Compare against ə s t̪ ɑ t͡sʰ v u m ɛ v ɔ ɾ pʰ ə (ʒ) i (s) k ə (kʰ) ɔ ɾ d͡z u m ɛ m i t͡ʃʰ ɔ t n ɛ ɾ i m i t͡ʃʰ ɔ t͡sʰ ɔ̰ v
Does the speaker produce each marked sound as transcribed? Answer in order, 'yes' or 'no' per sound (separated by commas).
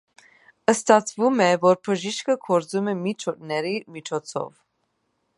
yes, no, yes